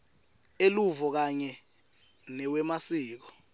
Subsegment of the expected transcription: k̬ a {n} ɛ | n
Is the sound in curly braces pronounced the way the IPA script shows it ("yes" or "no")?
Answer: no